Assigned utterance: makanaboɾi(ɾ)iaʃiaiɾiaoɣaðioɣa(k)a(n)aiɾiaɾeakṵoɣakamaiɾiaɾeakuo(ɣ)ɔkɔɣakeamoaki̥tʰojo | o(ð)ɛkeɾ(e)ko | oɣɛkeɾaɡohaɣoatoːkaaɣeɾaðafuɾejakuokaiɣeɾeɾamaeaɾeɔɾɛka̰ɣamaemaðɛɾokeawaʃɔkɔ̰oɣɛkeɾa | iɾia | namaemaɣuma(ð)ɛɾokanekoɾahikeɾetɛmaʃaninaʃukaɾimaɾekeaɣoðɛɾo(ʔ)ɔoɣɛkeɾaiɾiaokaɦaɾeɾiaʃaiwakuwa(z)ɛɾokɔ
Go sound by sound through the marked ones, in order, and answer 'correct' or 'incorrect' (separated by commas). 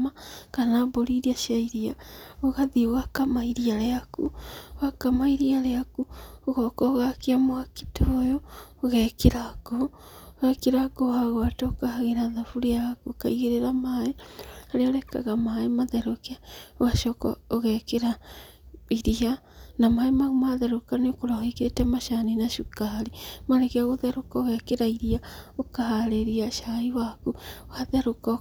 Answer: correct, correct, incorrect, correct, incorrect, incorrect, correct, incorrect, incorrect